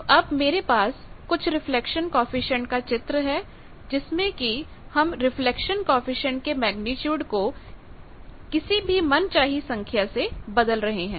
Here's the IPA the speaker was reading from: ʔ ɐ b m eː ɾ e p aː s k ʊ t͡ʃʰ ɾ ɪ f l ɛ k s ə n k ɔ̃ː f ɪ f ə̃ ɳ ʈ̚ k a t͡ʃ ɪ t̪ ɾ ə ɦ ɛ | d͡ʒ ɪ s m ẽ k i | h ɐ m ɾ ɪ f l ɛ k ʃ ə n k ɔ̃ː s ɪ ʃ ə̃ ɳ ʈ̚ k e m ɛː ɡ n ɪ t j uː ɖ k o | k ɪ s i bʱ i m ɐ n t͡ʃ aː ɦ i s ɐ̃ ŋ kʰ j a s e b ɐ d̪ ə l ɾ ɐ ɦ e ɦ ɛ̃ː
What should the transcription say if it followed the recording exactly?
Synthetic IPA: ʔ ɐ b m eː ɾ e p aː s k ʊ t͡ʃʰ ɾ ɪ f l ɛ k ʃ ə n k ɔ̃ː f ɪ ʃ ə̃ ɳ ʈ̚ k a t͡ʃ ɪ t̪ ɾ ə ɦ ɛ | d͡ʒ ɪ s m ẽ k i | h ɐ m ɾ ɪ f l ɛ k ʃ ə n k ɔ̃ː f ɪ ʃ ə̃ ɳ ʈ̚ k e m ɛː ɡ n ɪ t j uː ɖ k o | k ɪ s i bʱ i m ɐ n t͡ʃ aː ɦ i s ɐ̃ ŋ kʰ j a s e b ɐ d̪ ə l ɾ ɐ ɦ e ɦ ɛ̃ː